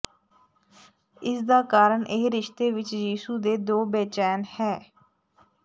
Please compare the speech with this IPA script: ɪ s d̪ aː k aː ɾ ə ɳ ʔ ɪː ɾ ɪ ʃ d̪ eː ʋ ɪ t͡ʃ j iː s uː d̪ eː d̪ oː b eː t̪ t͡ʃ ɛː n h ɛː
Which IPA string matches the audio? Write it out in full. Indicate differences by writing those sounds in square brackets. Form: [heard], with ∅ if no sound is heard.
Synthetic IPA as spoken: ɪ s d̪ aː k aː ɾ ə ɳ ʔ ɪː ɾ ɪ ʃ [t̪] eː ʋ ɪ t͡ʃ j iː s uː d̪ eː d̪ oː b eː [∅] t͡ʃ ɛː n h ɛː